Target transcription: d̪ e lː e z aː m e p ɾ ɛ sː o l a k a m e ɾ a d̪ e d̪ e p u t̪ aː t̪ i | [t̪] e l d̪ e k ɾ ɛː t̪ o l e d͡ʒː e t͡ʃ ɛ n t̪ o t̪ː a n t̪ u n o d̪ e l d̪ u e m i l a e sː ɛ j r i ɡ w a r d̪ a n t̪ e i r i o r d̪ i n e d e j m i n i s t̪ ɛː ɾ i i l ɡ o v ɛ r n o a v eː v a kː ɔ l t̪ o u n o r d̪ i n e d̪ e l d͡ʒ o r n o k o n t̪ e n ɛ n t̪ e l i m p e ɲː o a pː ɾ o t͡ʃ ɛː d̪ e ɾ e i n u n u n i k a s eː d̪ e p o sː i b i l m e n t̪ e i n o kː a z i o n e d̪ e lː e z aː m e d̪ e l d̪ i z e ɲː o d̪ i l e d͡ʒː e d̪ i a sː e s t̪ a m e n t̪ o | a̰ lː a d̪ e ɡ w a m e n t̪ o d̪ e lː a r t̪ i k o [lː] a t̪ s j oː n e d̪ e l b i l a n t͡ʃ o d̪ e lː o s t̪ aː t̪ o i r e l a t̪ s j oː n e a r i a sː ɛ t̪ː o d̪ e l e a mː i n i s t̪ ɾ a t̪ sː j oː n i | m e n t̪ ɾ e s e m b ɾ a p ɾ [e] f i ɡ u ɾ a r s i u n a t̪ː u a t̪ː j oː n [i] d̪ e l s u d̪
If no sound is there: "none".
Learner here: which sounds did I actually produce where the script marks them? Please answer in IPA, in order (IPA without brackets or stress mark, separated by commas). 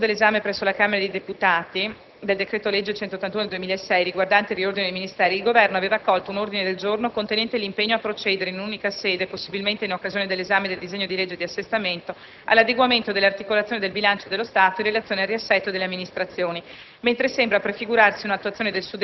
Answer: d̪, l, e, e